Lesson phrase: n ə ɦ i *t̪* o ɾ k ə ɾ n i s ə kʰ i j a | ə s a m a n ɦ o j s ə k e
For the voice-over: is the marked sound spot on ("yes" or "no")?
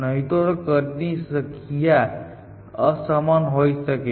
yes